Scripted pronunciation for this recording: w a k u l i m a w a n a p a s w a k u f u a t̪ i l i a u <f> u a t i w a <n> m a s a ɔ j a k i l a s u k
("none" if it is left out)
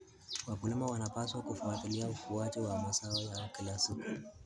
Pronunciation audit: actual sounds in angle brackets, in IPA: f, none

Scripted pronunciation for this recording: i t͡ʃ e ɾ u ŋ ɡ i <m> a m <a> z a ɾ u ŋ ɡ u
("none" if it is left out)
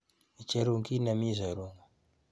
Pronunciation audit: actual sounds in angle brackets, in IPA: n, i

